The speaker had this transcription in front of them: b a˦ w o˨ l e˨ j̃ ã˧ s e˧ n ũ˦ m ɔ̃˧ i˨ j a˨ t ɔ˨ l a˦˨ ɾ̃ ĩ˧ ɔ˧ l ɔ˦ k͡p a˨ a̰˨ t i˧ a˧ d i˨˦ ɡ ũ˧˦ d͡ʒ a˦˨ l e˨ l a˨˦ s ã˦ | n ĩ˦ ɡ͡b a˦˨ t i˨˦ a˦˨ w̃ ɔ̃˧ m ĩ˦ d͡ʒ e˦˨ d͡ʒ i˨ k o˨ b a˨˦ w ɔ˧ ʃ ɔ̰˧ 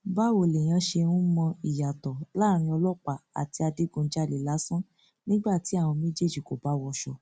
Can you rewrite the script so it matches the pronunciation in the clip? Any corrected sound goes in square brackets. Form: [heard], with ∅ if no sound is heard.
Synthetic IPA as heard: b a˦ w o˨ l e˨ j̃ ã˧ [ʃ] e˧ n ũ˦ m ɔ̃˧ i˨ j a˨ t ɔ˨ l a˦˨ ɾ̃ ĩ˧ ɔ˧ l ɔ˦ k͡p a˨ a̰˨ t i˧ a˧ d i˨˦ ɡ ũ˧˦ d͡ʒ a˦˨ l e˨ l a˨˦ s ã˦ | n ĩ˦ ɡ͡b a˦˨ t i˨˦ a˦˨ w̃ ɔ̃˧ m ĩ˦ d͡ʒ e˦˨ d͡ʒ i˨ k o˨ b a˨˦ w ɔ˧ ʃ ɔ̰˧